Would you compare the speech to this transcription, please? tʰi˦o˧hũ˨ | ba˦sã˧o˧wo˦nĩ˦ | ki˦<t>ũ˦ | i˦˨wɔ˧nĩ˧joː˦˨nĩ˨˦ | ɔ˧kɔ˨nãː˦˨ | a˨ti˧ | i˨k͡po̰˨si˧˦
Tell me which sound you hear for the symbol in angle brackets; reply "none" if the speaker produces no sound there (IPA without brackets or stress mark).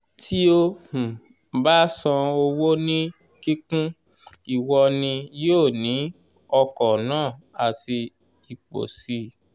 k